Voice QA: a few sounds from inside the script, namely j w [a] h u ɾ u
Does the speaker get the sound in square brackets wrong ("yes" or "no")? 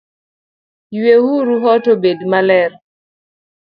yes